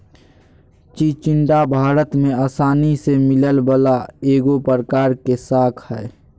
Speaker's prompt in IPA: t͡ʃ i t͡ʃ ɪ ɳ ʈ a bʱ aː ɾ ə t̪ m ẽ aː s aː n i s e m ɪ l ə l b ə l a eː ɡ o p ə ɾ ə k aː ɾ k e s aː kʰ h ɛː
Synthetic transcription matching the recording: t͡ʃ i t͡ʃ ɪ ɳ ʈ a bʱ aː ɾ ə t̪ m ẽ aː s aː n i s e m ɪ l ə l b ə l a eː ɡ o p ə ɾ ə k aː ɾ k e s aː kʰ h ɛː